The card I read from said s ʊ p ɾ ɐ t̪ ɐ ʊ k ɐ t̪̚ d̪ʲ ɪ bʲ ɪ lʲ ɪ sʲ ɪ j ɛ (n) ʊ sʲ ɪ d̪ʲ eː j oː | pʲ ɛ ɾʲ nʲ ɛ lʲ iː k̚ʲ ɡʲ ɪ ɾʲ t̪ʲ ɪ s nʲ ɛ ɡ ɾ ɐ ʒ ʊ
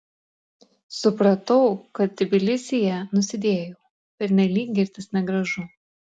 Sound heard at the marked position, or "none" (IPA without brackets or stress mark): n